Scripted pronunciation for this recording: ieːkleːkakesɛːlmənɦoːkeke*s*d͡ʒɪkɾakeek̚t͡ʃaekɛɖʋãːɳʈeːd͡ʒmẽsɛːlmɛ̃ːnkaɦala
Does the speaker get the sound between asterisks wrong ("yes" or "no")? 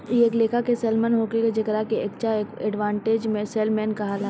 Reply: yes